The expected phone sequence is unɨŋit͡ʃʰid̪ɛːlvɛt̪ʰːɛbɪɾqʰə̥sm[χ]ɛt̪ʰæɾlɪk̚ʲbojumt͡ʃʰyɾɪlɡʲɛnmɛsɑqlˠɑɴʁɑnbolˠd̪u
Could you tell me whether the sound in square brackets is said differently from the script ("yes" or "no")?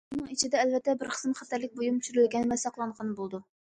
no